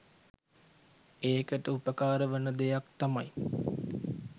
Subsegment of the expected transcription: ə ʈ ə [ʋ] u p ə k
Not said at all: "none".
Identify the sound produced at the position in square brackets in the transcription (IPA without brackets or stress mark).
none